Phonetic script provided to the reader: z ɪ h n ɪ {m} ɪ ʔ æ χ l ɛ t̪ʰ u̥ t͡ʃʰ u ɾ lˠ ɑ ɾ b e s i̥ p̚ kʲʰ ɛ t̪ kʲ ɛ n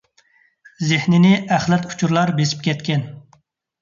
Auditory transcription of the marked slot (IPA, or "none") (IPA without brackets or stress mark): n